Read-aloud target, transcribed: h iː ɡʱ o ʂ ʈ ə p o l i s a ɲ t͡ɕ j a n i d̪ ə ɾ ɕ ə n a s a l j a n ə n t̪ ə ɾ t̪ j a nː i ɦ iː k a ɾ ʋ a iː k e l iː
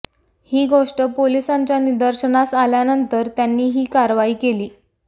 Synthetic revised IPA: h iː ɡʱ o ʂ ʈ ə p o l i s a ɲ t͡ɕ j a n i d̪ ə ɾ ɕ ə n a s a l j a n ə n t̪ ə ɾ t̪ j a nː iː ɦ iː k a ɾ ʋ a iː k e l iː